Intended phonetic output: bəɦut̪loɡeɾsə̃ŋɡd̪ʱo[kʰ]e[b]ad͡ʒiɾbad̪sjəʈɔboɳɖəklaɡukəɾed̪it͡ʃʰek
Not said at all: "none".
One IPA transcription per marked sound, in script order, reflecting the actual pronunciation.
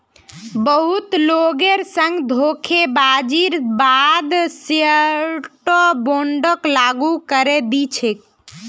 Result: kʰ, b

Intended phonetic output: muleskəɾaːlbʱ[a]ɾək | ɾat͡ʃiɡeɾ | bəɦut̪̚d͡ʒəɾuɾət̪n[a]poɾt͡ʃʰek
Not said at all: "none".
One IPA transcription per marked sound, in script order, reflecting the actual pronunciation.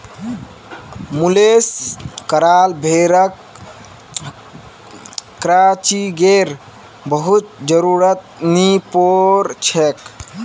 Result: e, i

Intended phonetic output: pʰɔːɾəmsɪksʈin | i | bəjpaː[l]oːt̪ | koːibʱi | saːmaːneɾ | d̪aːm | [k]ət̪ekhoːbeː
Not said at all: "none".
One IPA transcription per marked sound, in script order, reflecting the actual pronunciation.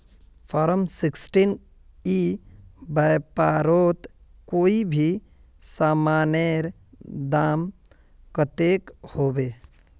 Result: ɾ, k

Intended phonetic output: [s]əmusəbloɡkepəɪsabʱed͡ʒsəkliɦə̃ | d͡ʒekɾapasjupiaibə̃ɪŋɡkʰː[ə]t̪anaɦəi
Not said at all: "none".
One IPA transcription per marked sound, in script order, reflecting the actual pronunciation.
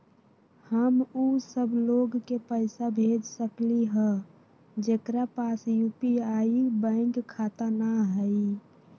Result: h, a

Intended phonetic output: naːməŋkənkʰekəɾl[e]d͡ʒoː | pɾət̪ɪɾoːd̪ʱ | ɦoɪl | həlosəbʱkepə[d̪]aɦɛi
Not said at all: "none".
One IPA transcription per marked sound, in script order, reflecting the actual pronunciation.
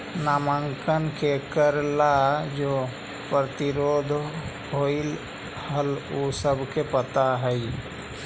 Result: a, t̪

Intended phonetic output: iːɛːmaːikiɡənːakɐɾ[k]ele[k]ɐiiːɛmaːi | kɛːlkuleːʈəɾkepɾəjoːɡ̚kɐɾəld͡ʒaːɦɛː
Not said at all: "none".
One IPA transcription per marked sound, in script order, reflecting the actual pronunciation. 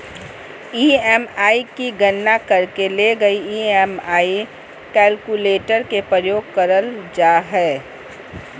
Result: k, ɡ

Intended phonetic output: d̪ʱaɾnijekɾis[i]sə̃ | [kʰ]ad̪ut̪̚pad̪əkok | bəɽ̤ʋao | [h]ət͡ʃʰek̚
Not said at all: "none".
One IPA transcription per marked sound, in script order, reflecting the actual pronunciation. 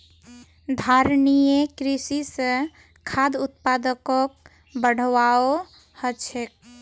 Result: i, kʰ, h

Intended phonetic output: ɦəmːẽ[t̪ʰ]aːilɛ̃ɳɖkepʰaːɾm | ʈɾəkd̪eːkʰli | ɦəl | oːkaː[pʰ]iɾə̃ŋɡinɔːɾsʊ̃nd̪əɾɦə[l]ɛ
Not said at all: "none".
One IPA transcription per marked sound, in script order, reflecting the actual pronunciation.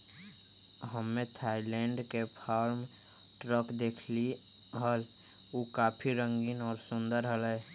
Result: t̪ʰ, pʰ, l

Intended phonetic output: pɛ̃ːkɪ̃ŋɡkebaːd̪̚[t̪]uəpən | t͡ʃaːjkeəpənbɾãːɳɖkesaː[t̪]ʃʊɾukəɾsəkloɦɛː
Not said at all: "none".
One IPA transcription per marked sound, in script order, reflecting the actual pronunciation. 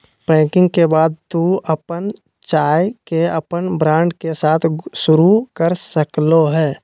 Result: t̪, t̪ʰ

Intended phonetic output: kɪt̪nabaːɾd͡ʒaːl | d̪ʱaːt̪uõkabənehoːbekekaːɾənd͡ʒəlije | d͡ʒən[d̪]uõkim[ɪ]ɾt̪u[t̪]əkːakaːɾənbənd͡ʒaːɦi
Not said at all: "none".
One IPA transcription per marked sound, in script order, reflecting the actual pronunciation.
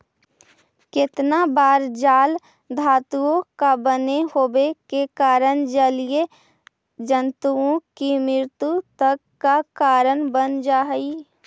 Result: t̪, ɪ, t̪

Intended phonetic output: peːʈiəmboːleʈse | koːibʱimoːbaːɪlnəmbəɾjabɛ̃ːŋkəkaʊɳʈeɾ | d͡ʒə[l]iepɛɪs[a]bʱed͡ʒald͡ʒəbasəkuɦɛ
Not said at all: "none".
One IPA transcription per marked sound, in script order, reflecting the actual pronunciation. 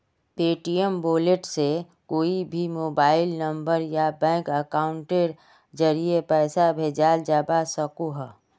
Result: ɾ, a

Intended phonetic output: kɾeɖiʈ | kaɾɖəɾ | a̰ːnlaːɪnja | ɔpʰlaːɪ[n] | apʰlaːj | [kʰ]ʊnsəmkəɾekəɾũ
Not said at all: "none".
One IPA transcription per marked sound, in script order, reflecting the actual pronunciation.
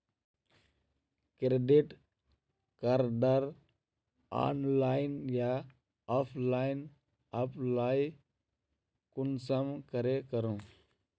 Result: n, k

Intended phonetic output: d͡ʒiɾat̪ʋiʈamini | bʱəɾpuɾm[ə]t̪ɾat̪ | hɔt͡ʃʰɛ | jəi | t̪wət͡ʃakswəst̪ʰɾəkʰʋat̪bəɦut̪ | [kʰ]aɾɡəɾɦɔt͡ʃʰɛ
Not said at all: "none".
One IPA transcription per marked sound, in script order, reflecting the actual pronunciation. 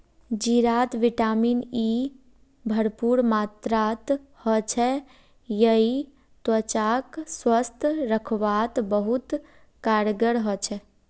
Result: a, k

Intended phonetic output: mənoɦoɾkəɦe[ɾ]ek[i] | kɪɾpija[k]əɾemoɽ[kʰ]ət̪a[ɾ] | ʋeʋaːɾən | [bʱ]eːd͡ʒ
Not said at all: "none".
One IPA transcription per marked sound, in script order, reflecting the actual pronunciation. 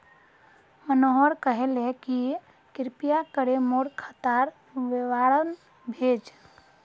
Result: l, i, k, kʰ, ɾ, bʱ

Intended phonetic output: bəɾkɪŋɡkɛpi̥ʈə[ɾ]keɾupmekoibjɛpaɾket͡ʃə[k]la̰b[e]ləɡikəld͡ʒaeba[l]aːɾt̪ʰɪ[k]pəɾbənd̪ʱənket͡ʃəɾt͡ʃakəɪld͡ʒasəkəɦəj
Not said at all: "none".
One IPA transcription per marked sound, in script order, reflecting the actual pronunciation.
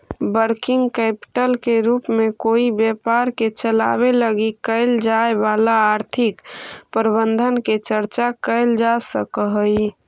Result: l, none, e, l, k

